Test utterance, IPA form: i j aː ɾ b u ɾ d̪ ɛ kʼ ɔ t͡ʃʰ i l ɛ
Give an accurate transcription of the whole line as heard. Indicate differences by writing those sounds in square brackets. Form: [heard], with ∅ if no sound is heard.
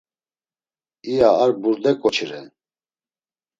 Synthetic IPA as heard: i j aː ɾ b u ɾ d̪ ɛ kʼ ɔ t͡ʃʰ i [ɾ] ɛ

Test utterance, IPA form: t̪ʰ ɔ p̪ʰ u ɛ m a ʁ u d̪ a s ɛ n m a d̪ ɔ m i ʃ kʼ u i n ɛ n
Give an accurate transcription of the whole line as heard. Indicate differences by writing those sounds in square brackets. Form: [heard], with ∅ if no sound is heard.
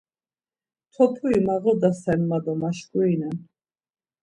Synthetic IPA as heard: t̪ʰ ɔ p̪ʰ u [i] m a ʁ [ɔ] d̪ a s ɛ n m a d̪ ɔ m [a] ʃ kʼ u i n ɛ n

